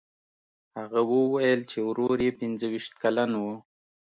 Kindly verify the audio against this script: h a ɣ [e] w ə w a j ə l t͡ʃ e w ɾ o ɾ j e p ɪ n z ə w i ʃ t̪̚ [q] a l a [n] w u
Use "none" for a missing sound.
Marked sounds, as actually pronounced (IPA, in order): a, k, n

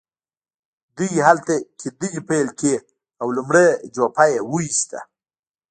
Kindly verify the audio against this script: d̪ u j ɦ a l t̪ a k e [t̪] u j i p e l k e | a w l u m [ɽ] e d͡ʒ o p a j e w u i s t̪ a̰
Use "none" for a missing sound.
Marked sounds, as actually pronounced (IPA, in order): d̪, ɽ

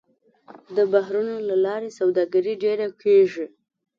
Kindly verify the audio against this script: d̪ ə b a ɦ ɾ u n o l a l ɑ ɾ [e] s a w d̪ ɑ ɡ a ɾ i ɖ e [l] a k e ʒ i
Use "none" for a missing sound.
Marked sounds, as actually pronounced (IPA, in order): e, ɾ

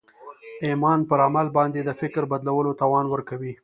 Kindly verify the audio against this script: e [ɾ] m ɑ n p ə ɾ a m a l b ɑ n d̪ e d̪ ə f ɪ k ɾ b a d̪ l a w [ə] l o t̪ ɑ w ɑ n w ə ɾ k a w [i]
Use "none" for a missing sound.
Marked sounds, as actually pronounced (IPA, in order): none, ə, i

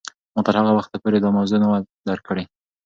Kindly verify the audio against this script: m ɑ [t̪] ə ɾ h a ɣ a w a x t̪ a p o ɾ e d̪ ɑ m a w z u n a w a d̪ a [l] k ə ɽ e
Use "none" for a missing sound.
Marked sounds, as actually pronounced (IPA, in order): t̪, ɾ

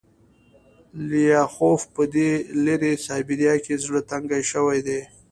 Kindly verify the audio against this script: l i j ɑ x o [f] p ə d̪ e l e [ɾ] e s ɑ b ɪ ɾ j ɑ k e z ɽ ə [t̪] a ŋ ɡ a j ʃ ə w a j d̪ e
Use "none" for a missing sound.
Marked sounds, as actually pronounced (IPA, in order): f, ɾ, t̪

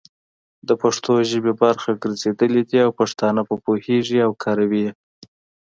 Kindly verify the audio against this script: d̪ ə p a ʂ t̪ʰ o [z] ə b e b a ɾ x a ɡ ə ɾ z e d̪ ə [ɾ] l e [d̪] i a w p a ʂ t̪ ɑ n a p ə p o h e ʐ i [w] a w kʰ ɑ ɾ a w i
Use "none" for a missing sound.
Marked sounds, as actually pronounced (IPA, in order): ʒ, none, d̪, none

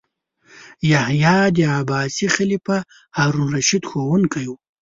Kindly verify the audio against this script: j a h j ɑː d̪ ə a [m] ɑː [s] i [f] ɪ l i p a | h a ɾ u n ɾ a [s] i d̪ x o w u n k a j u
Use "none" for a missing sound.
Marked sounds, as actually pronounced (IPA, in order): b, s, x, ʃ

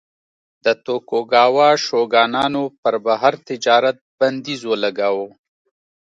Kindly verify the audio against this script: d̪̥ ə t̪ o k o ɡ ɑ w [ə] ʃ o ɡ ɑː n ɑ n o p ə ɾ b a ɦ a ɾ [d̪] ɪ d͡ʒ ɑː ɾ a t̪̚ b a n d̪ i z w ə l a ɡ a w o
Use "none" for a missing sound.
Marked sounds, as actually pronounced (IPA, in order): ɑ, t̪

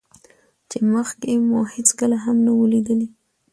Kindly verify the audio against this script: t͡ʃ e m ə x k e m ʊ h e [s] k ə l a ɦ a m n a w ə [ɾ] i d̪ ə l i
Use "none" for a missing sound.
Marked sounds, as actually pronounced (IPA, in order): t͡s, l

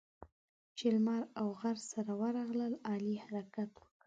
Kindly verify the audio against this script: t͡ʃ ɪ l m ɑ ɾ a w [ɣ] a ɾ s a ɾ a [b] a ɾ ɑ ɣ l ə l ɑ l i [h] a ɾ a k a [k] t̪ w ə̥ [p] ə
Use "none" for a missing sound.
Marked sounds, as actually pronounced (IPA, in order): ɣ, w, h, none, k

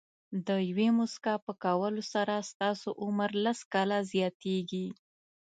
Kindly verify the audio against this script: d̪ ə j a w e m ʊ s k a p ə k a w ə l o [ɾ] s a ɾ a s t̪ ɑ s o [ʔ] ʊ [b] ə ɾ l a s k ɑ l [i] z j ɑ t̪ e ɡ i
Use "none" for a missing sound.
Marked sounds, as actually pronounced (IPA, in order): none, ʔ, m, a

